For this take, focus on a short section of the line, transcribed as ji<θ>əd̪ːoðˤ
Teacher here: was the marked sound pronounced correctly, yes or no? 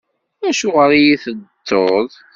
yes